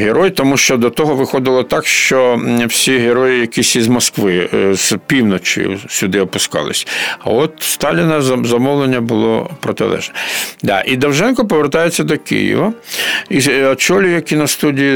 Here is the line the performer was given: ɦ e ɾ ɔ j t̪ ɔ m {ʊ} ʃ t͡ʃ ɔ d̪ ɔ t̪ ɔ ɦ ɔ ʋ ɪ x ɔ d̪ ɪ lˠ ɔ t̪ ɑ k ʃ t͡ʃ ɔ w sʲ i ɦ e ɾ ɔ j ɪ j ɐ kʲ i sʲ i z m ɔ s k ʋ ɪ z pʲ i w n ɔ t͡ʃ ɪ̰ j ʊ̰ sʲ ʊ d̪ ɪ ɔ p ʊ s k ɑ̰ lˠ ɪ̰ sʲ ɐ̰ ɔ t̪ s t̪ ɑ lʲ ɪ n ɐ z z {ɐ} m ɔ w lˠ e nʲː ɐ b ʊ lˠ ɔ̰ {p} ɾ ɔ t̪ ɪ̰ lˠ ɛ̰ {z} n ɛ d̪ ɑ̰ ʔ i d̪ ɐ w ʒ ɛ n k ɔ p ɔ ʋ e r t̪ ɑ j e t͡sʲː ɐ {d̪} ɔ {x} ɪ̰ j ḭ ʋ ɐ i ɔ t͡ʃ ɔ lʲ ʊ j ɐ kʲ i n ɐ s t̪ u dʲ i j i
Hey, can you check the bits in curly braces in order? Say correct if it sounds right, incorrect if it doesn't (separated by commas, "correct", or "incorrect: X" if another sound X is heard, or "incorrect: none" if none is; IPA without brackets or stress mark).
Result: incorrect: u, correct, correct, incorrect: ʒ, correct, incorrect: k